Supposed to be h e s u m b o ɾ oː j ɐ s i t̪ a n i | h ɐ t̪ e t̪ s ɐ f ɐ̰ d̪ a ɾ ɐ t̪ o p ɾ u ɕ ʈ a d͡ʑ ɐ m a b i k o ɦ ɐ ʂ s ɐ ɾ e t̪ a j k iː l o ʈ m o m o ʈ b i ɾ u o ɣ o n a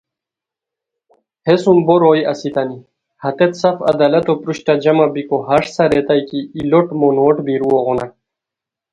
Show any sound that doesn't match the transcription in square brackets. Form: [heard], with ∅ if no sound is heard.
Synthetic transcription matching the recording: h e s u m b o ɾ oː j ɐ s i t̪ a n i | h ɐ t̪ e t̪ s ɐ f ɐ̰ d̪ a [l] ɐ t̪ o p ɾ u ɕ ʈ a d͡ʑ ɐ m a b i k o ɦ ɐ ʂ s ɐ ɾ e t̪ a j k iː l o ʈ m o [n] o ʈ b i ɾ u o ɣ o n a